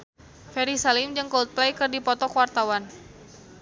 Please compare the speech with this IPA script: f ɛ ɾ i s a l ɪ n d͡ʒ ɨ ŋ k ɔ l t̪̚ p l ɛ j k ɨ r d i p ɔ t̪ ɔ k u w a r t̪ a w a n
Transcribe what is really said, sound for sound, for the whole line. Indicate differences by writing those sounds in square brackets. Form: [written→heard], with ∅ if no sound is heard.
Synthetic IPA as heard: f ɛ ɾ i s a l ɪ [n→m] d͡ʒ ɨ ŋ k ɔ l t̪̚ p l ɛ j k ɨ r d i p ɔ t̪ ɔ k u w a r t̪ a w a n